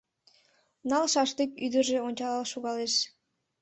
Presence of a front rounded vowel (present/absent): present